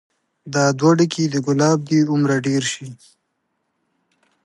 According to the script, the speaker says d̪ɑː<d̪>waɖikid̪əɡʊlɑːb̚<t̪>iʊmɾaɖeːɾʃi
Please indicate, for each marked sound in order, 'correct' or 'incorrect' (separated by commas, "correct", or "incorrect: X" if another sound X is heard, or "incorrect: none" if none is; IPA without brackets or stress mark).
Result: correct, incorrect: d̪